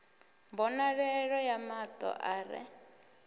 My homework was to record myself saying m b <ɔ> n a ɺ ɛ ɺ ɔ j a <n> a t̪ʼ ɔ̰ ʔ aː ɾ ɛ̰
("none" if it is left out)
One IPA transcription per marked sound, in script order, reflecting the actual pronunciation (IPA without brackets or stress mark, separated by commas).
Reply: ɔ, m